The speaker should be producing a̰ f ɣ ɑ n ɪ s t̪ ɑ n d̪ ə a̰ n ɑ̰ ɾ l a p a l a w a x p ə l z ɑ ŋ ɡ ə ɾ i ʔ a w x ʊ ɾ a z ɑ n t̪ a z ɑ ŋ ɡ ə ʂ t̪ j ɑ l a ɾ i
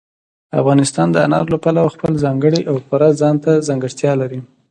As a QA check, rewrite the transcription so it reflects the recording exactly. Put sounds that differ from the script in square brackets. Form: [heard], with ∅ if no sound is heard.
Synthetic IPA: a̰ f ɣ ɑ n ɪ s t̪ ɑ n d̪ ə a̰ n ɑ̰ ɾ l a p a l a w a x p ə l z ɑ ŋ ɡ ə [ɽ] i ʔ a w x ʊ ɾ a z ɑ n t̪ a z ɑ ŋ ɡ ə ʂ t̪ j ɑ l a ɾ i